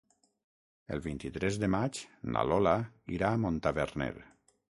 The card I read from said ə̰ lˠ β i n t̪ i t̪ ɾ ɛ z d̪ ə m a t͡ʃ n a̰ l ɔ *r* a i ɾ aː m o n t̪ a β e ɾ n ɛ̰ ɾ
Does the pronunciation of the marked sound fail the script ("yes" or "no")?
yes